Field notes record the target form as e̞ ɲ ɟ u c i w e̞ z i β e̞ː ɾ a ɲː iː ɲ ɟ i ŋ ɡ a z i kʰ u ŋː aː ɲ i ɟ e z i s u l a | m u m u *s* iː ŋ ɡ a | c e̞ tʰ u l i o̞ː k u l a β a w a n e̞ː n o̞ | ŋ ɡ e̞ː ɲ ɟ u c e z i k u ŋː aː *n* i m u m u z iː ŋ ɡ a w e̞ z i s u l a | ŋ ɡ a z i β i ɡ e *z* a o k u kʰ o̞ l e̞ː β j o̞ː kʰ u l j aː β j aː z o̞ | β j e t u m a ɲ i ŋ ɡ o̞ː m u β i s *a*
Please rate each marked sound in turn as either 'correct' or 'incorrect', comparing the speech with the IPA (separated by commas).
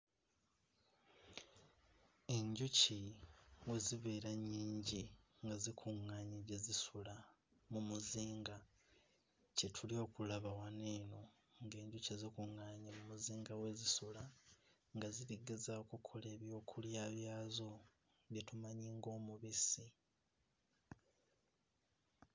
incorrect, incorrect, correct, incorrect